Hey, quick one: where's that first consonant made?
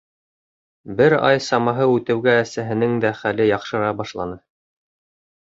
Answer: lips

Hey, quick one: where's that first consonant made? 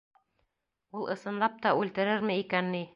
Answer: tongue tip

